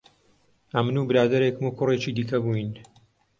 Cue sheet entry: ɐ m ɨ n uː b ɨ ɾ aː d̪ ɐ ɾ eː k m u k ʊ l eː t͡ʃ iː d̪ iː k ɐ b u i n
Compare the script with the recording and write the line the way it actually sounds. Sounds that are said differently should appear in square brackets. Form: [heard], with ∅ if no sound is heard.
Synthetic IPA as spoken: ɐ m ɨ n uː b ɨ ɾ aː d̪ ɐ ɾ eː k m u k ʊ [r] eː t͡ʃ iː d̪ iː k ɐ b u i n